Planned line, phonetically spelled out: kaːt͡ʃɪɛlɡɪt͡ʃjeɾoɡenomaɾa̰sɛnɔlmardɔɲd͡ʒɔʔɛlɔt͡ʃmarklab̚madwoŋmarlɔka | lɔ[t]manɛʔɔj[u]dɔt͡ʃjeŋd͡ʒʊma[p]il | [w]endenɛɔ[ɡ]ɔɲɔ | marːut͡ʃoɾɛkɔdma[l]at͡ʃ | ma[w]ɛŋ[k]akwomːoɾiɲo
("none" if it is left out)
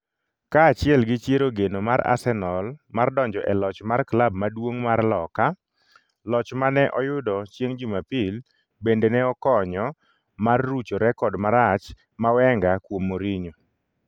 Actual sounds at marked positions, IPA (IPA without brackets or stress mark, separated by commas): t͡ʃ, ʊ, p, b, k, ɾ, w, ɡ